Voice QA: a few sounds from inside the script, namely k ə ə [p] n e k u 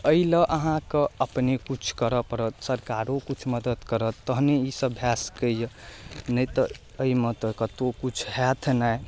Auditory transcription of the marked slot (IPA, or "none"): p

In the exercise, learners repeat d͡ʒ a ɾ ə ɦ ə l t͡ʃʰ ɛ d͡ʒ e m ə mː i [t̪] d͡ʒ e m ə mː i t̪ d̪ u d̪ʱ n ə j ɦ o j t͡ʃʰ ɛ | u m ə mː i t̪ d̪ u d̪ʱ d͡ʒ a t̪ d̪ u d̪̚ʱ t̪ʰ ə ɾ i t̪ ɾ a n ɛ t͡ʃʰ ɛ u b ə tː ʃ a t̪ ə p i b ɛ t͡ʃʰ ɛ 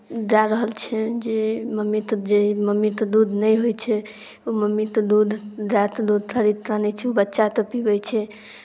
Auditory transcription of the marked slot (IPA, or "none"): t̪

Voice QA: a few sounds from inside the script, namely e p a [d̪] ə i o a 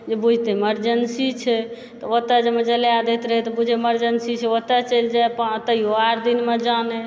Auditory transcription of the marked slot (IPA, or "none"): t̪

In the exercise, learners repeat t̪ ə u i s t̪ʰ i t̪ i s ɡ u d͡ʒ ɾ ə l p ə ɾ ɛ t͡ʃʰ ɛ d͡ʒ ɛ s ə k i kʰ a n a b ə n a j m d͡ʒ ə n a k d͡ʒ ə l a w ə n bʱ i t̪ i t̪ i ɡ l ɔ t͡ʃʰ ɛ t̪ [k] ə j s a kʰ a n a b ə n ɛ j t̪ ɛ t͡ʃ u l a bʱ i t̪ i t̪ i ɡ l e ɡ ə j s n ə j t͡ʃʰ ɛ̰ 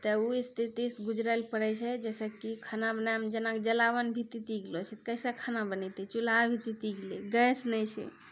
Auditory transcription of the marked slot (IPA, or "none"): k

